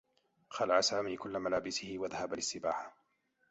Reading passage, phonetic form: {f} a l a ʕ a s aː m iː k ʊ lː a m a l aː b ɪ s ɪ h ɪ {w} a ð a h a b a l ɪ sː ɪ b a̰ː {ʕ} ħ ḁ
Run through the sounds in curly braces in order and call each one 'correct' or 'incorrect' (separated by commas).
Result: incorrect, correct, incorrect